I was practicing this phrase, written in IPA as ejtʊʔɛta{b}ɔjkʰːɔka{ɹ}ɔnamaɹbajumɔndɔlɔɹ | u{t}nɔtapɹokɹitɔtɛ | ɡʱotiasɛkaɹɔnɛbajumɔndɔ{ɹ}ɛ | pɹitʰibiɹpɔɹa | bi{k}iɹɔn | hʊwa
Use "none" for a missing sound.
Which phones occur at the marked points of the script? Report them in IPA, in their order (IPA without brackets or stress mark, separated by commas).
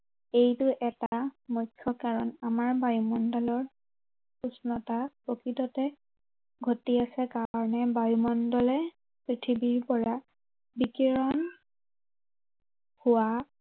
m, ɹ, s, l, k